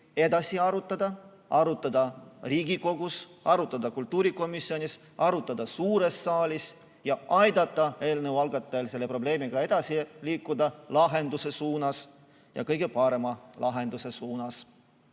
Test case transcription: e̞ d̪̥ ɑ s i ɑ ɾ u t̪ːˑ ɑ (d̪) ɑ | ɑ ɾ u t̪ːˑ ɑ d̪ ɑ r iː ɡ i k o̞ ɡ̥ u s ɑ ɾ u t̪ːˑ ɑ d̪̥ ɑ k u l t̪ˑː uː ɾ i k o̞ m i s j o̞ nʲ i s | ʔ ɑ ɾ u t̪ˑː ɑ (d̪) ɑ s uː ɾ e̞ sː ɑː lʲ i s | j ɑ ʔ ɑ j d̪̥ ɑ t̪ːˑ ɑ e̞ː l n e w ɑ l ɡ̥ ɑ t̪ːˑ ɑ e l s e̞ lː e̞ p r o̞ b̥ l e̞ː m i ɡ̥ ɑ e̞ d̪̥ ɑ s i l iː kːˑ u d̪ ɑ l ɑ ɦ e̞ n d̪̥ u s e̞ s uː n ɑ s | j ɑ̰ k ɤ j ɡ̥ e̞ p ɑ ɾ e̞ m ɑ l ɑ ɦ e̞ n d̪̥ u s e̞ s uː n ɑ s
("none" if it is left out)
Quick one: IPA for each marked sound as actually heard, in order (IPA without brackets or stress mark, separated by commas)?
d̪, d̪